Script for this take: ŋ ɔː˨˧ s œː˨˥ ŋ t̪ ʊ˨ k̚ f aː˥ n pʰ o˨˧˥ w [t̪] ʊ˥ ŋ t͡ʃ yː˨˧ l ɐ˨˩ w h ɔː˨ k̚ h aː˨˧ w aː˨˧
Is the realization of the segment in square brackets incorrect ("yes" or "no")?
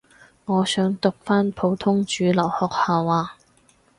yes